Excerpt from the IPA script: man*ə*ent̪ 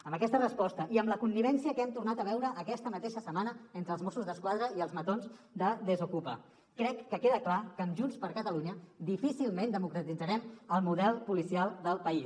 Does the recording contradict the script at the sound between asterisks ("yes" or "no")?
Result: no